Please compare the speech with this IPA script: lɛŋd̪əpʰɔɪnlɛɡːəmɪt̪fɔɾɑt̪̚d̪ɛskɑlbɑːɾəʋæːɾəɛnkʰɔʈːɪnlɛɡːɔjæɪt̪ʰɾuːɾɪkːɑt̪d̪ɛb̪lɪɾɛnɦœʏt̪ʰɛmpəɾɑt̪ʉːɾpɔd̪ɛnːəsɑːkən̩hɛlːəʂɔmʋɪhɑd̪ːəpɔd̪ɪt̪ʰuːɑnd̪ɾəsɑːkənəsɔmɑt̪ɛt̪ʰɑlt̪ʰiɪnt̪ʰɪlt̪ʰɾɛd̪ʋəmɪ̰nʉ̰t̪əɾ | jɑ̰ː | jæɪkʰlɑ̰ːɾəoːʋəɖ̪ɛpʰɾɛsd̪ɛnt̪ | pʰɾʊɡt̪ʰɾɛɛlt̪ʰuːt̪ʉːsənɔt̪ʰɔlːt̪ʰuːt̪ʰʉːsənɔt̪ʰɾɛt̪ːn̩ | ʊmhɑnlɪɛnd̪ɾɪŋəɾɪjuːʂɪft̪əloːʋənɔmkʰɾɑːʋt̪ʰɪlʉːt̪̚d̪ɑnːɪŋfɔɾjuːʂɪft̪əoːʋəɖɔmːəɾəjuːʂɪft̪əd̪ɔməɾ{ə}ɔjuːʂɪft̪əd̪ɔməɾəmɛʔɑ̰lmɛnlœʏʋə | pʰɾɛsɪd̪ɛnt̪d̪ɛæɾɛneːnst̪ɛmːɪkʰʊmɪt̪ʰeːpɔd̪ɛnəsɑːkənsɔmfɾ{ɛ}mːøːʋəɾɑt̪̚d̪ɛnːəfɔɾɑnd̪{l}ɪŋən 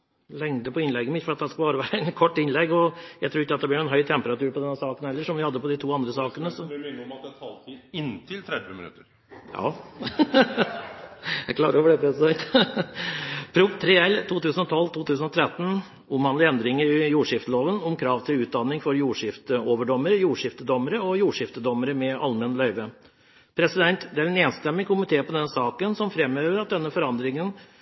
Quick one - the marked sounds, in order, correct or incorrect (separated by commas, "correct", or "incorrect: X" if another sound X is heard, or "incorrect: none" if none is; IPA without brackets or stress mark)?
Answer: correct, correct, incorrect: ɾ